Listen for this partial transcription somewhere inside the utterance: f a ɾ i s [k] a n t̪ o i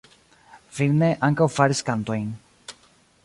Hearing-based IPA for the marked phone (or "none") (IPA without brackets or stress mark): k